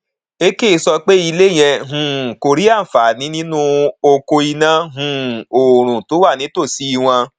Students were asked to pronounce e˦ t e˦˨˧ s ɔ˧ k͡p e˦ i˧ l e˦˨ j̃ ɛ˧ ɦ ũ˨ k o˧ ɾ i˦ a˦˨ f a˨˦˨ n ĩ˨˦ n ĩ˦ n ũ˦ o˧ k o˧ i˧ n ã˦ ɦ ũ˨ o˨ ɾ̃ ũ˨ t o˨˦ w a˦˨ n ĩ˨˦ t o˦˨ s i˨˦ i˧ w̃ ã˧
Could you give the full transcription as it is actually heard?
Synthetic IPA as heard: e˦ k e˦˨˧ s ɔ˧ k͡p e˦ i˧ l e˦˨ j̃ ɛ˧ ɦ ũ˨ k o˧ ɾ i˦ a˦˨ f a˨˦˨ n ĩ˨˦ n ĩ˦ n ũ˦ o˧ k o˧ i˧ n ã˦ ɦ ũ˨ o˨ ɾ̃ ũ˨ t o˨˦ w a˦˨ n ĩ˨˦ t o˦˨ s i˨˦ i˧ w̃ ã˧